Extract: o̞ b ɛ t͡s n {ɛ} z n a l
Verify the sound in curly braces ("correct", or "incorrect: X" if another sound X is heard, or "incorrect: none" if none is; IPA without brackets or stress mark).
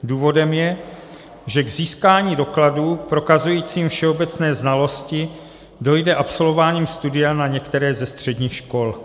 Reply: incorrect: ɛː